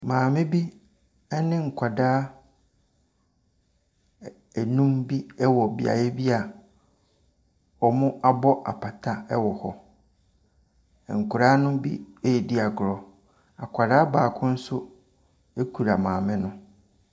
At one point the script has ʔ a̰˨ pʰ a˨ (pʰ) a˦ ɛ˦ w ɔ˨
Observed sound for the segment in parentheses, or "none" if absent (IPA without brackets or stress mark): tʰ